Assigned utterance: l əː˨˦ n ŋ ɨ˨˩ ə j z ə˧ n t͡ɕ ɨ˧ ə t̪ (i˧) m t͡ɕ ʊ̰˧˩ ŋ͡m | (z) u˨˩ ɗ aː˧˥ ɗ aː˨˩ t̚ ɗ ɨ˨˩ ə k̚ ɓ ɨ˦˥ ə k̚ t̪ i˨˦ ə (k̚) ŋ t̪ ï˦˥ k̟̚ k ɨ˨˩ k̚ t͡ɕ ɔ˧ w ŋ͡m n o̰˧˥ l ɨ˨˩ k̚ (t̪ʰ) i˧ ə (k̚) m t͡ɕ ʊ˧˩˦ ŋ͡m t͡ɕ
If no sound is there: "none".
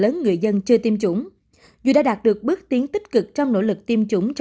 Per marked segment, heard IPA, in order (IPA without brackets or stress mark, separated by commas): i˧, z, none, t̪, none